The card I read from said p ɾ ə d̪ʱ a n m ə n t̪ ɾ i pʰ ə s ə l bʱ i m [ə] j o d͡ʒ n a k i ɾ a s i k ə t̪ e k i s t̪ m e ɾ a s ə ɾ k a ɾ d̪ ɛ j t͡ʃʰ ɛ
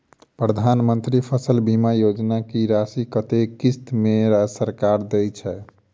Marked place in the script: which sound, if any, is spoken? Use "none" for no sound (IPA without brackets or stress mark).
a